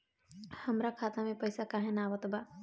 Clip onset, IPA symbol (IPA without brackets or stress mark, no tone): h